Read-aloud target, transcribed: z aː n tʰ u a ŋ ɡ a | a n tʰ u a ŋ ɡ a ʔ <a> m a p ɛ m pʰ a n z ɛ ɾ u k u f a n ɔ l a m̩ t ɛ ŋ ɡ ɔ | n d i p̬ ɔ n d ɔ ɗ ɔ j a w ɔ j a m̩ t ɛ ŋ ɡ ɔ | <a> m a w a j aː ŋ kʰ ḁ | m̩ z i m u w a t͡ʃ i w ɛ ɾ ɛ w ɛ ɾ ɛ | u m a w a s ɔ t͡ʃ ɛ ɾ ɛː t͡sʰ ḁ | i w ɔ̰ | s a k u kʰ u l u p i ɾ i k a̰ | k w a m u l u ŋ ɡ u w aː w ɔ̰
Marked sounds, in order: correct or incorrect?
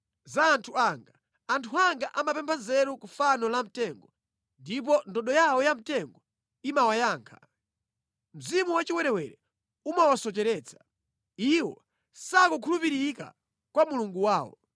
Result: correct, incorrect

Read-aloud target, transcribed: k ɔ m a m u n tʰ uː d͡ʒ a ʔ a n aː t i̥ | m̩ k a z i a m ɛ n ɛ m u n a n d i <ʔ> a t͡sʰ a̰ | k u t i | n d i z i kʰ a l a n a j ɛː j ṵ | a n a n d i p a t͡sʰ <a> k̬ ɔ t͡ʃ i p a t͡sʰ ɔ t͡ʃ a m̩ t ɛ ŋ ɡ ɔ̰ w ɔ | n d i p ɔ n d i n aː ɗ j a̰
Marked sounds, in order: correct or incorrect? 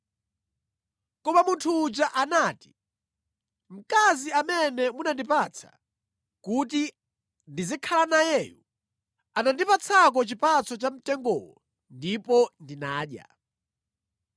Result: incorrect, correct

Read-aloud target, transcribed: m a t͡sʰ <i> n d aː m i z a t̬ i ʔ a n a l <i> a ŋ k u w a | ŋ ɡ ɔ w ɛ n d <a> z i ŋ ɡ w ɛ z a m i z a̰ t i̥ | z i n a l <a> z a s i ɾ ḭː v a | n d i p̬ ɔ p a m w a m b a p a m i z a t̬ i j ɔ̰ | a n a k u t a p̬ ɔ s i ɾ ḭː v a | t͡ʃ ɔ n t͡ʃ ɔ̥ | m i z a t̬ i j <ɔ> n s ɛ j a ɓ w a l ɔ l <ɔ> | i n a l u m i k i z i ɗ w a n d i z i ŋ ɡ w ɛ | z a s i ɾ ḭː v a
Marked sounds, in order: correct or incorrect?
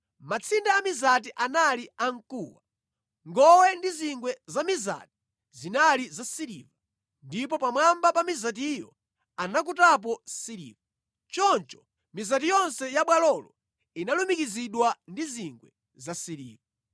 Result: correct, correct, incorrect, incorrect, correct, correct

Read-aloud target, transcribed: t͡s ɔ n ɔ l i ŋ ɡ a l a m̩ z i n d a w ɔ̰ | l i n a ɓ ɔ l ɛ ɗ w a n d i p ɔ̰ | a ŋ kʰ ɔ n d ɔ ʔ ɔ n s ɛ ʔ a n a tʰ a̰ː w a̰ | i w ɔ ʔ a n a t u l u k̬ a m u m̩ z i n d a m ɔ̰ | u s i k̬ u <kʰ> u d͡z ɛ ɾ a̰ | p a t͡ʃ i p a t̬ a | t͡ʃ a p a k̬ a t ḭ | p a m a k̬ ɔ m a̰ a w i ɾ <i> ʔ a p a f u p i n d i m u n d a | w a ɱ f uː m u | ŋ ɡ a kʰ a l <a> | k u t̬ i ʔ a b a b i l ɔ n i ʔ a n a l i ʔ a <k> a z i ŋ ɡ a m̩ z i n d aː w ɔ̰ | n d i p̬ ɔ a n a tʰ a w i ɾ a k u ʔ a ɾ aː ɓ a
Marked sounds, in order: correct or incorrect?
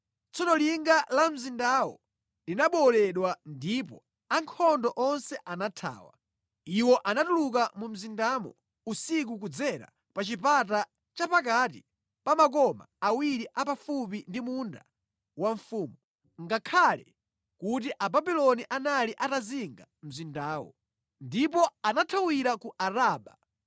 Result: incorrect, correct, incorrect, incorrect

